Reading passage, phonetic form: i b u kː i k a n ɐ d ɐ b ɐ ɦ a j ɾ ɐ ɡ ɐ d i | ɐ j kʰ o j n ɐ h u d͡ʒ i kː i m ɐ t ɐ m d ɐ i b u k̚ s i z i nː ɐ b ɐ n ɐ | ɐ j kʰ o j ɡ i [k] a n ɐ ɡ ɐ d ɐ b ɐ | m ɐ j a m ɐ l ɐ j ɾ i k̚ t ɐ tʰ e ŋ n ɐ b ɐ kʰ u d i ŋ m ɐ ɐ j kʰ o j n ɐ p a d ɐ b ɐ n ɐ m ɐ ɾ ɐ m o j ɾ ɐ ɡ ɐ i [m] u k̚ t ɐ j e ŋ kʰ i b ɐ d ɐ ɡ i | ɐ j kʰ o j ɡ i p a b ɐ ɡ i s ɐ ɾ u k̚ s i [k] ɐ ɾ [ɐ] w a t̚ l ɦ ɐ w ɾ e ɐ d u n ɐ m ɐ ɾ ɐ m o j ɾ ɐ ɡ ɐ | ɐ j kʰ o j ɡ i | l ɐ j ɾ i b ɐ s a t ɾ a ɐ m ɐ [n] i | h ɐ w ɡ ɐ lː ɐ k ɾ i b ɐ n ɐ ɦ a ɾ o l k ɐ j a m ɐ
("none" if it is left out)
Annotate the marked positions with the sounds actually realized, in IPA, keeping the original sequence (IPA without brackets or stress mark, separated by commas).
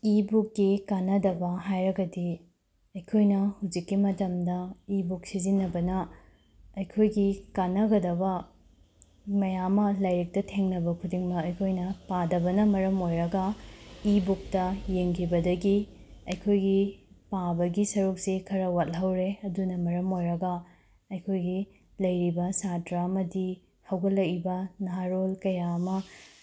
k, b, kʰ, ɐ, d